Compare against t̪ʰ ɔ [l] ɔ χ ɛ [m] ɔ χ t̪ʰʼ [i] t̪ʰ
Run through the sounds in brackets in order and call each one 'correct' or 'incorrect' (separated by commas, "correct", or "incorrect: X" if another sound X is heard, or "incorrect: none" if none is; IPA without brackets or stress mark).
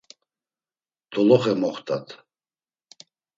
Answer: correct, correct, incorrect: a